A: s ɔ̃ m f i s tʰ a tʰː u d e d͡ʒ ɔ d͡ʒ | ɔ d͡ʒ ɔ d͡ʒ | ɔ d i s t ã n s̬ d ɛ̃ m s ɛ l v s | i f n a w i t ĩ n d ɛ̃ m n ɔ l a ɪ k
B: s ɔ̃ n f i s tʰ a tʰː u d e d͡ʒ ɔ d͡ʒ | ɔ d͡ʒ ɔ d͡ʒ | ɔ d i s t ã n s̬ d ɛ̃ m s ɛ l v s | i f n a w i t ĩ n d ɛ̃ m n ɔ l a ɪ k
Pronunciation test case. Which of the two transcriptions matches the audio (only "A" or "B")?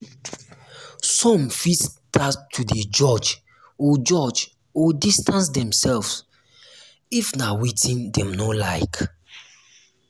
A